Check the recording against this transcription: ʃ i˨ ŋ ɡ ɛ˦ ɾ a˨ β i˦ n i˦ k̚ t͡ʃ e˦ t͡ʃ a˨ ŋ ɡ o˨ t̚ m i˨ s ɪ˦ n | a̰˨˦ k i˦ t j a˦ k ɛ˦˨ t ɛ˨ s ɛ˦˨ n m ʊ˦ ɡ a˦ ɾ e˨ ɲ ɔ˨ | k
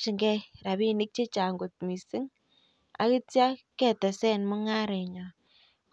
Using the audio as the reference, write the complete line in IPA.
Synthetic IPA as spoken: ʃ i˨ ŋ ɡ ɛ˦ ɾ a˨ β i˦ n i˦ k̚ t͡ʃ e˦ t͡ʃ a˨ ŋ ɡ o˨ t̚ m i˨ s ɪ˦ ŋ | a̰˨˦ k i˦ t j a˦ k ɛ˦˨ t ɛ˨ s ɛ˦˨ n m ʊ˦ ŋ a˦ ɾ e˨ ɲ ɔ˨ | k